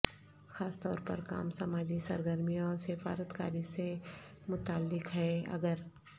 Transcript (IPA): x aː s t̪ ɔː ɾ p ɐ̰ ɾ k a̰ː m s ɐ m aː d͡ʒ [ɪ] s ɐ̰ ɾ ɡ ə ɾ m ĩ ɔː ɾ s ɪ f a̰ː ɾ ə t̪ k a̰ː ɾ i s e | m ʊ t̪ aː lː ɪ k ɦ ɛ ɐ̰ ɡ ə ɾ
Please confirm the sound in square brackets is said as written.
no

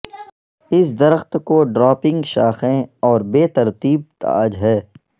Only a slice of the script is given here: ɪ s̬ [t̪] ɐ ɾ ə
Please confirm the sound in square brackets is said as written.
no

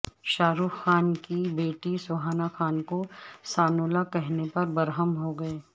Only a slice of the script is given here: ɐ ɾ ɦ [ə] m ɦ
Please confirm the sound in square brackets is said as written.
yes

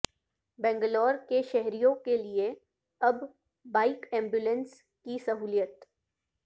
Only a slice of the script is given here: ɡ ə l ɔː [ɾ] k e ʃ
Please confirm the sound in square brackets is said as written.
yes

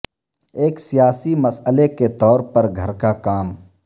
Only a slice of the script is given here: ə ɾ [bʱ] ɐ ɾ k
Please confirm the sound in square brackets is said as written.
no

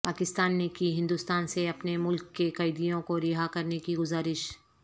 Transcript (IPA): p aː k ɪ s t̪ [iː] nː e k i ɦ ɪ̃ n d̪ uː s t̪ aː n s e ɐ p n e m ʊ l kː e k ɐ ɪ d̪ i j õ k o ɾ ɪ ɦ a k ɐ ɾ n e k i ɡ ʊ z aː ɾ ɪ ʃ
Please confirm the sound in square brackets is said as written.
no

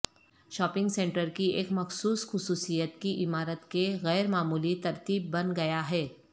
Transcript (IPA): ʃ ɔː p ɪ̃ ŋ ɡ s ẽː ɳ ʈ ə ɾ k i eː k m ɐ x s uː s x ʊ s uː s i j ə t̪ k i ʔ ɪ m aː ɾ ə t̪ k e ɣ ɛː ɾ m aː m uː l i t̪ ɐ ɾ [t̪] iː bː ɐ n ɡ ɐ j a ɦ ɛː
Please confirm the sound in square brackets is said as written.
yes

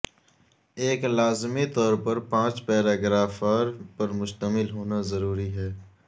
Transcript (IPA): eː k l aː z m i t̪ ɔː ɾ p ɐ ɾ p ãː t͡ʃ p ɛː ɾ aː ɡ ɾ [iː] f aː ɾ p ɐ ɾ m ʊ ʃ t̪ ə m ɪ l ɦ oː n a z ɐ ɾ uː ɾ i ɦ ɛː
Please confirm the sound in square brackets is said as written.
no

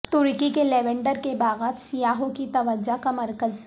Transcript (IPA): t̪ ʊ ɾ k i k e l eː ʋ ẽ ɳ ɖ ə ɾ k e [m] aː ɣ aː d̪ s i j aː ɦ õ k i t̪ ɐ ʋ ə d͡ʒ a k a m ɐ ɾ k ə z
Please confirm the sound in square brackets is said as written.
no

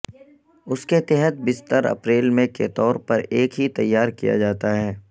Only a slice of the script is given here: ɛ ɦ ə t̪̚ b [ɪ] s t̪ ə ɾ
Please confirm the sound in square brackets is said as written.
yes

